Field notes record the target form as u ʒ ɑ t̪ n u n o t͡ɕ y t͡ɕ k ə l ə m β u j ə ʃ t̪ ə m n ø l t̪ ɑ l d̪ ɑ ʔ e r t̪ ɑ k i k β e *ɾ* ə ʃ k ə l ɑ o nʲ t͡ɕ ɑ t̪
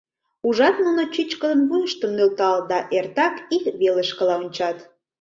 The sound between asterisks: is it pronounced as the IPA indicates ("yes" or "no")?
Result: no